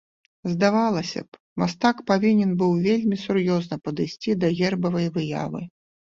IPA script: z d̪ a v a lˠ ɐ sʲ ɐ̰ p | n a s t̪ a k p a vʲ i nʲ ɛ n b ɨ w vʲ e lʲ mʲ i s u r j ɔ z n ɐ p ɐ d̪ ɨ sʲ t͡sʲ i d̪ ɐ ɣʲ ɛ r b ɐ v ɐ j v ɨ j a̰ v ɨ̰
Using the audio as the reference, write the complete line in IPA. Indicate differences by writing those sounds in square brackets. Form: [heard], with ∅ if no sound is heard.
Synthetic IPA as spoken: z d̪ a v a lˠ ɐ sʲ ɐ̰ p | [m] a s t̪ a k p a vʲ i nʲ ɛ n b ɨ w vʲ e lʲ mʲ i s u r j ɔ z n ɐ p ɐ d̪ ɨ sʲ t͡sʲ i d̪ ɐ ɣʲ ɛ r b ɐ v ɐ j v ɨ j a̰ v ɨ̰

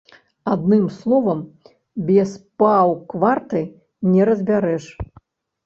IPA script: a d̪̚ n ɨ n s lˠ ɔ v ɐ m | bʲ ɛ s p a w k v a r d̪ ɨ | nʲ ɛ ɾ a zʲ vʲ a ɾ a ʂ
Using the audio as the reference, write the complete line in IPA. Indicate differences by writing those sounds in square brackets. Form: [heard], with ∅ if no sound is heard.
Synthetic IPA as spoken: a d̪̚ n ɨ [m] s lˠ ɔ v ɐ m | bʲ ɛ s p a w k v a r [t̪] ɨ | nʲ ɛ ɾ [ɐ] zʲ [bʲ] a ɾ [ɛ] ʂ

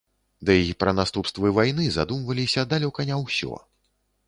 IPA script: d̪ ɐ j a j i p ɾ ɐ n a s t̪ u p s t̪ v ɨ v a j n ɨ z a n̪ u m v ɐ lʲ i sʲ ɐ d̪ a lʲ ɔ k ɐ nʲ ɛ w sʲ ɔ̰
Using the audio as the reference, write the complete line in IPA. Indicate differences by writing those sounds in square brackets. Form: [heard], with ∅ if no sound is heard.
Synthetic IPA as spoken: d̪ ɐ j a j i p ɾ ɐ n a s t̪ u p s t̪ v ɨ v a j n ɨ z a [d̪] u m v ɐ lʲ i sʲ ɐ d̪ a lʲ ɔ k ɐ nʲ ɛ w sʲ ɔ̰

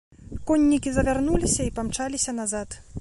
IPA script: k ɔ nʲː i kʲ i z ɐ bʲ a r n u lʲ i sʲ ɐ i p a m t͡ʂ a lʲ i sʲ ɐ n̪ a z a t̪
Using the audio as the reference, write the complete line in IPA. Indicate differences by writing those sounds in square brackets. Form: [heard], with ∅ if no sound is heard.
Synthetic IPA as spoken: k ɔ nʲː i kʲ i z ɐ [vʲ] a r n u lʲ i sʲ ɐ i p a m t͡ʂ a lʲ i sʲ ɐ n̪ a z a t̪

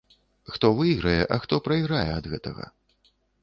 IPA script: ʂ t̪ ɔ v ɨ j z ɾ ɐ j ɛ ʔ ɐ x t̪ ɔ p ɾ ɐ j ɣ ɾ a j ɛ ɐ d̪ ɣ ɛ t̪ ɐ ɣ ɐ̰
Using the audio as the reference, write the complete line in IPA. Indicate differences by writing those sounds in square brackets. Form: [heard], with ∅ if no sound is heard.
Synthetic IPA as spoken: [x] t̪ ɔ v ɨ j [ɣ] ɾ ɐ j ɛ ʔ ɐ x t̪ ɔ p ɾ ɐ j ɣ ɾ a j ɛ ɐ d̪ ɣ ɛ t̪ ɐ ɣ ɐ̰

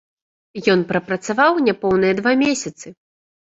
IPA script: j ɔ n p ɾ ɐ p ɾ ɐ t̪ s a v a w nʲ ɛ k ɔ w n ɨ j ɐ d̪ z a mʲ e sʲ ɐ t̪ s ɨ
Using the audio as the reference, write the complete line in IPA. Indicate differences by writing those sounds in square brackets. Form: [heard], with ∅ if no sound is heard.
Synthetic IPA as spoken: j ɔ n p ɾ ɐ p ɾ ɐ t̪ s a v a w nʲ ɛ [p] ɔ w n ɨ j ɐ d̪ [v] a mʲ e sʲ ɐ t̪ s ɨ

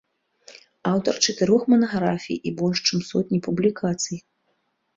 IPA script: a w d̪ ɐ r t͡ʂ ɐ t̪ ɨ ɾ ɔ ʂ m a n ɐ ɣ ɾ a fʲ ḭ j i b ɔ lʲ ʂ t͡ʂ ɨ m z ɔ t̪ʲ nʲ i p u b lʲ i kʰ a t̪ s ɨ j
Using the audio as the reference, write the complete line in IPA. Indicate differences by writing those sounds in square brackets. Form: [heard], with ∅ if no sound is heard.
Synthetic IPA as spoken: a w [t̪] ɐ r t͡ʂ ɐ t̪ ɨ ɾ ɔ [x] m [ɐ] n ɐ ɣ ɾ a fʲ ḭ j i b ɔ lʲ ʂ t͡ʂ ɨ m [s] ɔ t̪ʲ nʲ i p u b lʲ i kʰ a t̪ s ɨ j

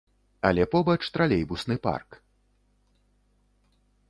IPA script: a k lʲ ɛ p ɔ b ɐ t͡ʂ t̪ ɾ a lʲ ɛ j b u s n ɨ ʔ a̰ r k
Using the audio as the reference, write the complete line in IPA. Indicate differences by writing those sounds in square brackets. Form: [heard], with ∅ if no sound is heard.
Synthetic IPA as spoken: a [∅] lʲ ɛ p ɔ b ɐ t͡ʂ t̪ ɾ a lʲ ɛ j b u s n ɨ [p] a̰ r k

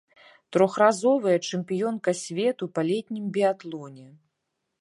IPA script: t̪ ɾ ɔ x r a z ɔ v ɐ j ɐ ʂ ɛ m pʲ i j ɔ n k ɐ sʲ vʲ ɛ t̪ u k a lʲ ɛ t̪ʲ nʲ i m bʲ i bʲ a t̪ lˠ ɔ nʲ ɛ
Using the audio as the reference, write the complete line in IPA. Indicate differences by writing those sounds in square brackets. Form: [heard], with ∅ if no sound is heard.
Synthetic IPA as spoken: t̪ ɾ ɔ x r a z ɔ v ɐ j ɐ [t͡ʂ] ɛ m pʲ i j ɔ n k ɐ sʲ vʲ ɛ t̪ u [p] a lʲ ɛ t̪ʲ nʲ i m bʲ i [∅] a t̪ lˠ ɔ nʲ ɛ

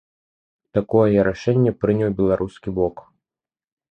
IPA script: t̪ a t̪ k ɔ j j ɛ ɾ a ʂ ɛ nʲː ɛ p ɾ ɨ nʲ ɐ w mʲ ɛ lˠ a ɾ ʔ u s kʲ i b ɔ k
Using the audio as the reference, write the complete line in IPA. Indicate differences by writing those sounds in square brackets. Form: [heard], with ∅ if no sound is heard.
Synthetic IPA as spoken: t̪ a [∅] k ɔ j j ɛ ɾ a ʂ ɛ nʲː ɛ p ɾ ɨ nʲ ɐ w [bʲ] ɛ lˠ a ɾ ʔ u s kʲ i b ɔ k

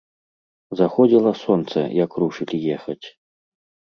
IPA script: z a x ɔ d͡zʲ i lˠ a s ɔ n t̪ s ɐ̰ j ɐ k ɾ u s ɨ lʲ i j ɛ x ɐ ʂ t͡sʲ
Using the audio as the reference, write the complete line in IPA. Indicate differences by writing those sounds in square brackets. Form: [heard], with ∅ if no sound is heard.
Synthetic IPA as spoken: z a x ɔ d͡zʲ i lˠ [ɐ] s ɔ n t̪ s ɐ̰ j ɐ k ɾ u [ʂ] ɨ lʲ i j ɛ x ɐ [∅] t͡sʲ

